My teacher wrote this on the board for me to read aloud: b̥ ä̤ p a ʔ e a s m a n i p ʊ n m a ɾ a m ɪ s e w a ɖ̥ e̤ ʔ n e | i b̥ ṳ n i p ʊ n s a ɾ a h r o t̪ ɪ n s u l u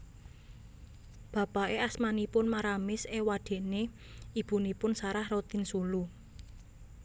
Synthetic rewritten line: b̥ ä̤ p a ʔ e a s m a n i p ʊ n m a ɾ a m ɪ s e w a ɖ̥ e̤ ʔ n e | i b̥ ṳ n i p ʊ n s a ɾ a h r o t̪ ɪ n s u l u